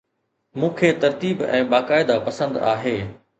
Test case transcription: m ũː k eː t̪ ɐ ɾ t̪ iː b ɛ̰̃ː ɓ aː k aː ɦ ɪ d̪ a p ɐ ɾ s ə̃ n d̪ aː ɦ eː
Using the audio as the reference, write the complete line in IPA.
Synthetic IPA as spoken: m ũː kʰ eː t̪ ɐ ɾ t̪ iː b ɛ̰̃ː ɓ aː k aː ɪ d̪ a p ɐ s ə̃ n d̪ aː ɦ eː

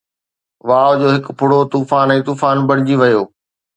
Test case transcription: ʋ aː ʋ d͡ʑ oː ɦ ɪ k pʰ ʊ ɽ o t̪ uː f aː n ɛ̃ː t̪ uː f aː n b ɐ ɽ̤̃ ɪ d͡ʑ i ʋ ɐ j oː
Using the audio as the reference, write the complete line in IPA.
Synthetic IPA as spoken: ʋ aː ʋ d͡ʑ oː ɦ ɪ k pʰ ʊ ɽ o t̪ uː f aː n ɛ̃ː t̪ uː f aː n b ɐ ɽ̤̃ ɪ d͡ʑ i ʋ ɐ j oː

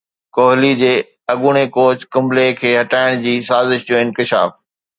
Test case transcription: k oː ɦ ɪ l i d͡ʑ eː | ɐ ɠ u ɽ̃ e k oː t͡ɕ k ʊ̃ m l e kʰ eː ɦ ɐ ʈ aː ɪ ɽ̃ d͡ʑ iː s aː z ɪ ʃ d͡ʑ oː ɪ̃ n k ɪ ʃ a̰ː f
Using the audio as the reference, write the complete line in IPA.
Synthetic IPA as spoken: k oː ɦ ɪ l i d͡ʑ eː | ɐ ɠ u ɽ̃ e k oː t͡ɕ k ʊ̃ m l e kʰ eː ɦ ɐ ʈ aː ɪ ɽ̃ d͡ʑ iː s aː z ɪ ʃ d͡ʑ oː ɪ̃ n k ɪ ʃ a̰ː f

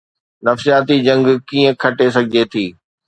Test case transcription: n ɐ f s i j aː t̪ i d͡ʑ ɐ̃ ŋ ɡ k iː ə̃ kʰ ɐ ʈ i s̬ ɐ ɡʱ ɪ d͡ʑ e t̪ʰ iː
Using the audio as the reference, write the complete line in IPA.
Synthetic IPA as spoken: n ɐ f s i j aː t̪ i d͡ʑ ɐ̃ ŋ ɡ k iː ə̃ kʰ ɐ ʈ e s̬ ɐ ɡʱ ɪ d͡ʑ e t̪ʰ iː

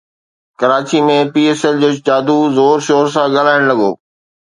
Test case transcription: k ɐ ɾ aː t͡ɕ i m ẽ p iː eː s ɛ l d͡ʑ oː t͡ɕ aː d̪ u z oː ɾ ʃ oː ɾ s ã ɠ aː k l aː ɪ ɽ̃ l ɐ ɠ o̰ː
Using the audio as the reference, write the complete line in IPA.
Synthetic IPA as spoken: k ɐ ɾ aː t͡ɕ i m ẽ p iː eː s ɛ l d͡ʑ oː t͡ɕ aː d̪ u z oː ɾ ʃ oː ɾ s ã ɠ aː l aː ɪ ɽ̃ l ɐ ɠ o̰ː

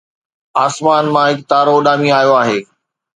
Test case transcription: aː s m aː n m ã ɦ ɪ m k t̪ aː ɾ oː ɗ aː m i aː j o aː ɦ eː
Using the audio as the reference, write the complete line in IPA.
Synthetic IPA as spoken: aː s m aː n m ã ɦ ɪ k t̪ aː ɾ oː ɗ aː m i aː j o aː ɦ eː

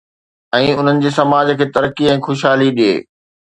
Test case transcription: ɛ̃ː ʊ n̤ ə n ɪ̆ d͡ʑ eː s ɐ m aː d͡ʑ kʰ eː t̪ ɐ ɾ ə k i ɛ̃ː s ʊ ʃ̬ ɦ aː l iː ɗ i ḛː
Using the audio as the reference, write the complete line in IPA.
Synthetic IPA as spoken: ɛ̃ː ʊ n̤ ə n ɪ̆ d͡ʑ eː s ɐ m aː d͡ʑ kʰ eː t̪ ɐ ɾ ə k i ɛ̃ː x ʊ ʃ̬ ɦ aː l i ɗ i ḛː

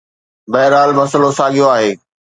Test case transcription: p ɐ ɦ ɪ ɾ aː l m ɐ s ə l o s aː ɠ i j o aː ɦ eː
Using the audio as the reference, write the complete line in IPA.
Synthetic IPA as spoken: b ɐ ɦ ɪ ɾ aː l m ɐ s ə l o s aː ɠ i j o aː ɦ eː

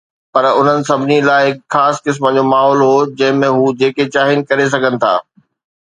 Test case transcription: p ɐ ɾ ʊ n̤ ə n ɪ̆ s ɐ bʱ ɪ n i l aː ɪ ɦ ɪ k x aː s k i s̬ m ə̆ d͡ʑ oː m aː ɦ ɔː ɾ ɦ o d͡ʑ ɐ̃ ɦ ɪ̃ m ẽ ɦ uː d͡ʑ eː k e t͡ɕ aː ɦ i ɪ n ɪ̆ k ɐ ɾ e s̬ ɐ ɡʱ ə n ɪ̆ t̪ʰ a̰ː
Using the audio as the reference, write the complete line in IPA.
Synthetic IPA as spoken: p ɐ ɾ ʊ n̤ ə n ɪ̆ s ɐ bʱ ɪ n i l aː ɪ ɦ ɪ k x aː s k ɪ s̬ m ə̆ d͡ʑ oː m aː ɦ ɔː l ɦ o d͡ʑ ɐ̃ ɦ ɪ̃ m ẽ ɦ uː d͡ʑ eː k e t͡ɕ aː ɦ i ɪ n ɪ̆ k ɐ ɾ e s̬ ɐ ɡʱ ə n ɪ̆ t̪ʰ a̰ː

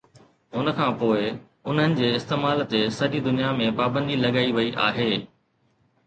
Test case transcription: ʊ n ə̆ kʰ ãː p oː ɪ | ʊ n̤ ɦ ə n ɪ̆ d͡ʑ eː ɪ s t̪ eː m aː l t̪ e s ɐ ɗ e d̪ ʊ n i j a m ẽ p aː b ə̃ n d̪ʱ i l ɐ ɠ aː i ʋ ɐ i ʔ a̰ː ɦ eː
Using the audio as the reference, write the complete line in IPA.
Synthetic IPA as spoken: ʊ n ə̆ kʰ ãː p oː ɪ | ʊ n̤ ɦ ə n ɪ̆ d͡ʑ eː ɪ s t̪ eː m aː l t̪ e s ɐ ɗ i d̪ ʊ n i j a m ẽ p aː b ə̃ n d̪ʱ i l ɐ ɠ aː i ʋ ɐ i ʔ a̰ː ɦ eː

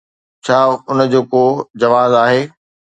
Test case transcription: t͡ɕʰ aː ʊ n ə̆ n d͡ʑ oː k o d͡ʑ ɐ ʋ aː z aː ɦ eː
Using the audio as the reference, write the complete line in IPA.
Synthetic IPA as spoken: t͡ɕʰ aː ʊ n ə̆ d͡ʑ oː k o d͡ʑ ɐ ʋ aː z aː ɦ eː

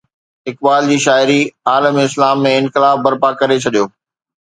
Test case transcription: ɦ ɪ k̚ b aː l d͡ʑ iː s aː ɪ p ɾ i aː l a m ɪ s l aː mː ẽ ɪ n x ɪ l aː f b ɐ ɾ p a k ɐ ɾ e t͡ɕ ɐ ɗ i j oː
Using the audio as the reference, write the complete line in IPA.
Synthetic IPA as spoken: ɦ ɪ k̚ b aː l d͡ʑ iː ʃ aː ɪ ɾ i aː l ə m ɪ s l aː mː ẽ ɪ n x ɪ l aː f b ɐ ɾ p a k ɐ ɾ e t͡ɕʰ ɐ ɗ i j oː

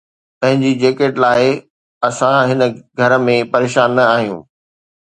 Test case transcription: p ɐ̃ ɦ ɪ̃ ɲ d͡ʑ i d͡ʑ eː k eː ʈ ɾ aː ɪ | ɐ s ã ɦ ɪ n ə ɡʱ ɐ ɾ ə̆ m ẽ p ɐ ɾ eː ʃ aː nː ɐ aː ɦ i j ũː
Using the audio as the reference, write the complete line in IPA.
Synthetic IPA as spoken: p ɐ̃ ɦ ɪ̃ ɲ d͡ʑ i d͡ʑ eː k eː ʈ l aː ɪ | ɐ s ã ɦ ɪ n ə ɡʱ ɐ ɾ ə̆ m ẽ p ɐ ɾ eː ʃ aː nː ɐ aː ɦ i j ũː

